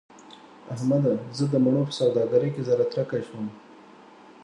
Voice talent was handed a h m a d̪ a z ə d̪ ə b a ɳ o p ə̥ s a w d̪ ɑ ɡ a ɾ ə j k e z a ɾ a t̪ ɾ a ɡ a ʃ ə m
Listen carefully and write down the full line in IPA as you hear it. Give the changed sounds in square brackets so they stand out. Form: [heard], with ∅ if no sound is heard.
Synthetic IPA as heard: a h m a d̪ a z ə d̪ ə [m] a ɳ o p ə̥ s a w d̪ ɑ ɡ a ɾ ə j k e z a ɾ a t̪ ɾ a [k] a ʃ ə m